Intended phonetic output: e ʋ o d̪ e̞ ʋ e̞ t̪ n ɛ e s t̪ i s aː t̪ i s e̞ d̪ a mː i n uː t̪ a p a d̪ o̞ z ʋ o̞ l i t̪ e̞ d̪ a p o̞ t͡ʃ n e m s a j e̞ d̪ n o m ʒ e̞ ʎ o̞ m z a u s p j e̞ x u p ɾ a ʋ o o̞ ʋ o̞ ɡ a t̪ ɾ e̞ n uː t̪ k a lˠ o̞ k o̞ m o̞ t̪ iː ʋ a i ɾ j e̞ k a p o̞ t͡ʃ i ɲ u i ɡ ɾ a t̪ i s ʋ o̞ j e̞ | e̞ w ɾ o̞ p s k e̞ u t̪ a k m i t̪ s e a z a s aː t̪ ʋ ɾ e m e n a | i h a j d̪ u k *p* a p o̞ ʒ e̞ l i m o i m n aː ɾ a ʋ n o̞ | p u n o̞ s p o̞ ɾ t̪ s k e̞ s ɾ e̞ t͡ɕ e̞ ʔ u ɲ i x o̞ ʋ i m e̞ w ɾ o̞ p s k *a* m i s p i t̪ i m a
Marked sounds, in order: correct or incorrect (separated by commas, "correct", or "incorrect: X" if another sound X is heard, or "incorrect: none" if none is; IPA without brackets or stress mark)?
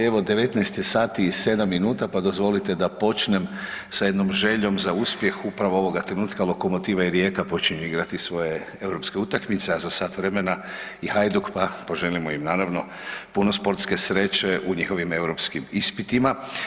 correct, incorrect: i